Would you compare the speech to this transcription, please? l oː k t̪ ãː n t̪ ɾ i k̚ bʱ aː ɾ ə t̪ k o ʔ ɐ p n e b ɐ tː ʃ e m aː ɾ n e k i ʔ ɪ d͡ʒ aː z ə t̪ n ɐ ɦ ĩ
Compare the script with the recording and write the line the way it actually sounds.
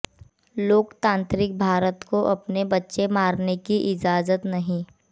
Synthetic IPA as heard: l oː k t̪ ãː n t̪ ɾ ɪ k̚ bʱ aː ɾ ə t̪ k o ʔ ɐ p n e b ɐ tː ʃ e m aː ɾ n e k i ʔ ɪ d͡ʒ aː z ə t̪ n ɐ ɦ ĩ